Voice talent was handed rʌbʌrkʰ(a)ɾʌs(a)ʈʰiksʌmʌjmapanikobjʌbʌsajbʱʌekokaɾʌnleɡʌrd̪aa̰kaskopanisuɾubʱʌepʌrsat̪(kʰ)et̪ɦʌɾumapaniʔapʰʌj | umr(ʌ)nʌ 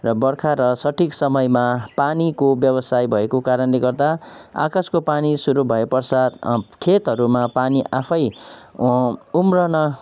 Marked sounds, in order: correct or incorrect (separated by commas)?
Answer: correct, incorrect, correct, correct